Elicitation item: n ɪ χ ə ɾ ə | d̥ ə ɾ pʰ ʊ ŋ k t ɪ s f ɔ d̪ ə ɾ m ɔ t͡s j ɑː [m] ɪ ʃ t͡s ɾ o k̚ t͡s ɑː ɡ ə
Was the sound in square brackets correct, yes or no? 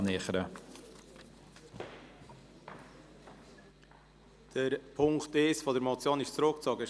no